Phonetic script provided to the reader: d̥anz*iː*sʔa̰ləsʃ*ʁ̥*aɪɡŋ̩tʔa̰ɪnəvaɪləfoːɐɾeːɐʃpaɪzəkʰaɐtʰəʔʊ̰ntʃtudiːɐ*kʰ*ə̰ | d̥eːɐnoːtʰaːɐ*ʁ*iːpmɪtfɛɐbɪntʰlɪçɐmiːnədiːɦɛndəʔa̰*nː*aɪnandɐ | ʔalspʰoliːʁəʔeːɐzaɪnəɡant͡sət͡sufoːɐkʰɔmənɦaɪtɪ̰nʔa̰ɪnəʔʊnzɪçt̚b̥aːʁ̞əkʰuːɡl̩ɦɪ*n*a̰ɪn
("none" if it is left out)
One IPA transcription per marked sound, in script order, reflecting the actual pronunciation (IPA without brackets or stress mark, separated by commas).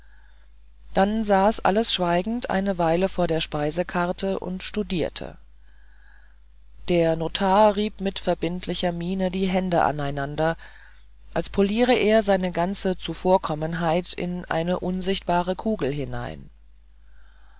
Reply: aː, v̥, tʰ, ʁ, n, n